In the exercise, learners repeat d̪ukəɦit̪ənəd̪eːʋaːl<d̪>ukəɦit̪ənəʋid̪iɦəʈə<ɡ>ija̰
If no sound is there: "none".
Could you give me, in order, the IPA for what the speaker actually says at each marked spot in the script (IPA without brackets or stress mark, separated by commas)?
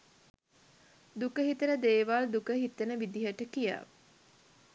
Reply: d̪, k